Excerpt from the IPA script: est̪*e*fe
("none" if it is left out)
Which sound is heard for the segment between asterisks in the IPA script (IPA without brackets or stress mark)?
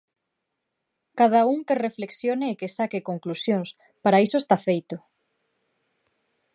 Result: a